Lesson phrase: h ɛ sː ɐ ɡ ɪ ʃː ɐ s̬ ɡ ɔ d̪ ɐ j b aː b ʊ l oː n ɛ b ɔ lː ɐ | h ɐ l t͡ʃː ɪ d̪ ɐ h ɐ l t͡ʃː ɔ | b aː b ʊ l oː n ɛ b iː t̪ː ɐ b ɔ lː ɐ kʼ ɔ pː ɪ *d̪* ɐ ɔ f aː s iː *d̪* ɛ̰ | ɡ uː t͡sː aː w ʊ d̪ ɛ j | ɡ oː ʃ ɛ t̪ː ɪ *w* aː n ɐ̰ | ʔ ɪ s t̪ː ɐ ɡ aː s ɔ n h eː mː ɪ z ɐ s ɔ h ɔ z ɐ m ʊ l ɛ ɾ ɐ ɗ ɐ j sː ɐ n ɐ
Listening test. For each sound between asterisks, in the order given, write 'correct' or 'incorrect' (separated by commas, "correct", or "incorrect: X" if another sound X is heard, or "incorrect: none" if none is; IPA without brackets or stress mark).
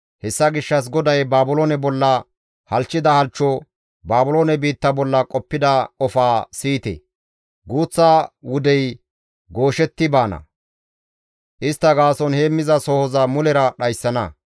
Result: correct, incorrect: t̪, incorrect: b